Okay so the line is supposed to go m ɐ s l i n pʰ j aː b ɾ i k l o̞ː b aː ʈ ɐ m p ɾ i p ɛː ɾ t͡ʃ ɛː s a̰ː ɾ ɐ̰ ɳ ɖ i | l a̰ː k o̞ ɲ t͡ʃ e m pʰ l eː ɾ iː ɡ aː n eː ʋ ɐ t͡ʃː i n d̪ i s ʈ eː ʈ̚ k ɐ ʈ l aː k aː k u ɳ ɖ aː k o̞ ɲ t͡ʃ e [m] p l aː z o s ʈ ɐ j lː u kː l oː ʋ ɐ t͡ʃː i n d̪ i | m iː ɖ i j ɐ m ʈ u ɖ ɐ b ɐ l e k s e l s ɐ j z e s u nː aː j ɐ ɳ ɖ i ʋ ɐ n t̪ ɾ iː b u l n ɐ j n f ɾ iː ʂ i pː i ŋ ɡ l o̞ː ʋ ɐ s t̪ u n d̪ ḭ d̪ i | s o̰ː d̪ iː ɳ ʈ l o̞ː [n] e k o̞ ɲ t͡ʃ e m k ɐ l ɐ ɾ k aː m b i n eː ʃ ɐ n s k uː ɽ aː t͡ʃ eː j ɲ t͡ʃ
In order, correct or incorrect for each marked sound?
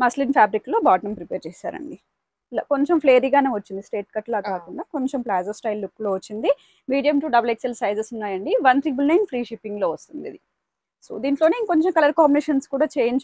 correct, correct

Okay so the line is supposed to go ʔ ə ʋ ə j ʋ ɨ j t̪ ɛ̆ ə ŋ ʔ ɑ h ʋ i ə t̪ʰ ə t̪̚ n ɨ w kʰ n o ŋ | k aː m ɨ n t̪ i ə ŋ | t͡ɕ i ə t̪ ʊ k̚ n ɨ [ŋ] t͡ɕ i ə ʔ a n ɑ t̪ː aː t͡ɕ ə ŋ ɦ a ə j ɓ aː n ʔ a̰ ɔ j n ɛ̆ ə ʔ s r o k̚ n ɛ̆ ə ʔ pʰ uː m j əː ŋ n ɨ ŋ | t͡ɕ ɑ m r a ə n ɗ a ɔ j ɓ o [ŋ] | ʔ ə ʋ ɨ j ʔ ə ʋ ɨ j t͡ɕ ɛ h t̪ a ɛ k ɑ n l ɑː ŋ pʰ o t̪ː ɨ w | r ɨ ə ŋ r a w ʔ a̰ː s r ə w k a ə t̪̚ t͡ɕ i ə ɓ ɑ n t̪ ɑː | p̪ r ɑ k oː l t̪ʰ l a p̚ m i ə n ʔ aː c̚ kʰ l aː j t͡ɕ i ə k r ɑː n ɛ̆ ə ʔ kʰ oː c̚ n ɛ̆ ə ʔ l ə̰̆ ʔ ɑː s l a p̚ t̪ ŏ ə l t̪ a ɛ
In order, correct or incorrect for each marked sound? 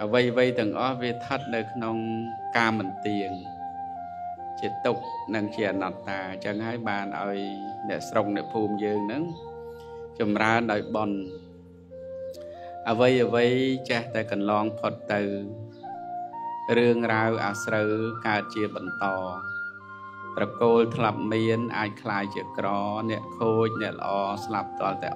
correct, incorrect: n

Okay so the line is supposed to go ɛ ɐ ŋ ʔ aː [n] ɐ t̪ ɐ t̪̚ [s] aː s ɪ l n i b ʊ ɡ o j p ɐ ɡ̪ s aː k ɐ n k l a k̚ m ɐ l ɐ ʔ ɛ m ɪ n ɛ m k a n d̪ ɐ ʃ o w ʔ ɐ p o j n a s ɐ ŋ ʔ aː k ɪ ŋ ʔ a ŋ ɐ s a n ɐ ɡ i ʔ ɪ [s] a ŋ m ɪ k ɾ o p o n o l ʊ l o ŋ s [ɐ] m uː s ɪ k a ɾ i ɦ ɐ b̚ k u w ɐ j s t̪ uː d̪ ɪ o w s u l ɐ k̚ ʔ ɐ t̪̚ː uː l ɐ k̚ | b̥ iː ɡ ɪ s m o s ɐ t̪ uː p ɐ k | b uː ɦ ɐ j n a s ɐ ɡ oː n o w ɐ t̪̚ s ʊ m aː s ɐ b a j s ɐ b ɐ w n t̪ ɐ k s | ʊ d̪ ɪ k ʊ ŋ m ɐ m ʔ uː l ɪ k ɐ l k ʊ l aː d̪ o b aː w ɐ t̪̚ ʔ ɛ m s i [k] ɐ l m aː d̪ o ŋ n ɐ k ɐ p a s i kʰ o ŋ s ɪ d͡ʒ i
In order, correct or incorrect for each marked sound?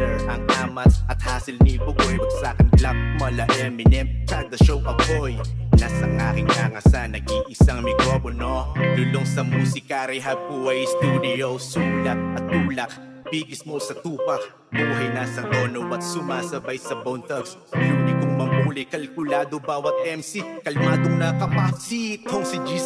incorrect: m, incorrect: h, correct, correct, correct

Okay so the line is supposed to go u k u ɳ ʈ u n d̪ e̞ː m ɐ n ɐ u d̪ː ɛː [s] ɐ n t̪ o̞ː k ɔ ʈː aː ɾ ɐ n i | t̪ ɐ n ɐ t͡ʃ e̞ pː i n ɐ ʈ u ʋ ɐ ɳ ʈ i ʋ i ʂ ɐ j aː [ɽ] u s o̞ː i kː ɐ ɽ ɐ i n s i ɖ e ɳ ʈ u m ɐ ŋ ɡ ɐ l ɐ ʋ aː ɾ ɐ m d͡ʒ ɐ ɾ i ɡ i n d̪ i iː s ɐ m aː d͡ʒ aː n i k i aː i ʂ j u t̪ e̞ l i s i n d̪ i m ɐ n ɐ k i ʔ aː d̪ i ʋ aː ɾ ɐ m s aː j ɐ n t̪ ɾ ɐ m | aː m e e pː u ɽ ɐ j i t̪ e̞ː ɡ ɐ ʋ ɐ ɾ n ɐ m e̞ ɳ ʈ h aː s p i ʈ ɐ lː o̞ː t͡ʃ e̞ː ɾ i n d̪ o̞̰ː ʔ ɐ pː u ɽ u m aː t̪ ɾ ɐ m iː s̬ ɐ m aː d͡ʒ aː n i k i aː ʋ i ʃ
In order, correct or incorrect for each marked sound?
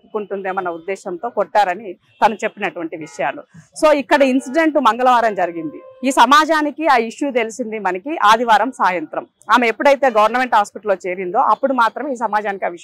incorrect: ʃ, incorrect: l

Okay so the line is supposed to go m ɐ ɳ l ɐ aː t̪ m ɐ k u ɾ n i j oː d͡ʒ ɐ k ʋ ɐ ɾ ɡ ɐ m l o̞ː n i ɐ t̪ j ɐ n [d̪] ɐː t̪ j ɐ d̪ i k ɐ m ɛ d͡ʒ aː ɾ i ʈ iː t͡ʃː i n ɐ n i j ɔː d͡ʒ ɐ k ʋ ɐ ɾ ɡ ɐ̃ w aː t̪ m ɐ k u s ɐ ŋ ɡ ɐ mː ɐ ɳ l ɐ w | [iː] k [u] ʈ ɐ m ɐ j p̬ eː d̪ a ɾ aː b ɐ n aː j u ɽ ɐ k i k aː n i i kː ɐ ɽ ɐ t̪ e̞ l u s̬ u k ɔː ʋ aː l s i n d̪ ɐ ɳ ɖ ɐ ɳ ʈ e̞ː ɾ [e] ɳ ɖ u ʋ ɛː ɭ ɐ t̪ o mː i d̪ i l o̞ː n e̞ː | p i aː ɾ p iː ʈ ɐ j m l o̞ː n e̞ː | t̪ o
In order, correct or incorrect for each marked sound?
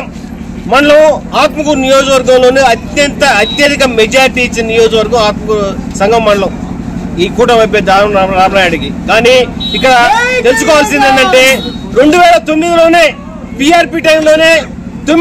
incorrect: t̪, correct, incorrect: uː, correct

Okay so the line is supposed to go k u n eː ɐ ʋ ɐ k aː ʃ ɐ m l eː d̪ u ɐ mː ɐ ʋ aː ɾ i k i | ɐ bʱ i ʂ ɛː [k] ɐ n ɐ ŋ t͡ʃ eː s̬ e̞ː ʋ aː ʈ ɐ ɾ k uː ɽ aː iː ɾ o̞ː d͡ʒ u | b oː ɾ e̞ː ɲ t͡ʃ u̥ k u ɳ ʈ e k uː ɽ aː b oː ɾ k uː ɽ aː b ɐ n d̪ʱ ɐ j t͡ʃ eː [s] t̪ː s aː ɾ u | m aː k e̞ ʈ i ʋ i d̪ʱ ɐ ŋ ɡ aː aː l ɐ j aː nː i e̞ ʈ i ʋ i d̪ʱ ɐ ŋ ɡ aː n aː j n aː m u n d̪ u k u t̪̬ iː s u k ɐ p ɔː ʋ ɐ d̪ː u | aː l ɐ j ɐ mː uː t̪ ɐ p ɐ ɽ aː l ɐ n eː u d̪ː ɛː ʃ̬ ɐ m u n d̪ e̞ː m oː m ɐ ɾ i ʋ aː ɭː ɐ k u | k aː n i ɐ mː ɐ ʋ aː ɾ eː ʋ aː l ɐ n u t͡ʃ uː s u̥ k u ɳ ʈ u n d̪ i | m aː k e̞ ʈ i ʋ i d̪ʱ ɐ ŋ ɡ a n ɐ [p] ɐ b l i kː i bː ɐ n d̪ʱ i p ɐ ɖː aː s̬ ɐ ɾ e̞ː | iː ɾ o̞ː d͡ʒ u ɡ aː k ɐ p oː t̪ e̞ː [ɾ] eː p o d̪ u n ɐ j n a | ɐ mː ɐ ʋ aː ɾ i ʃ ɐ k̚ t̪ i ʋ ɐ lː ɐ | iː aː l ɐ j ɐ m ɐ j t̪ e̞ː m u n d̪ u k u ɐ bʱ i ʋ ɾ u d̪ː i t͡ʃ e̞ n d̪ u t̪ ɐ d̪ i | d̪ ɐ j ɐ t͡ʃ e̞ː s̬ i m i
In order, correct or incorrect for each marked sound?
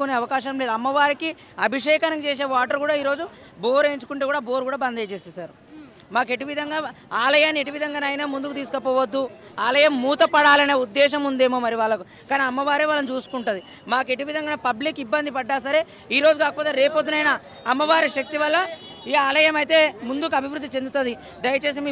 correct, correct, correct, correct

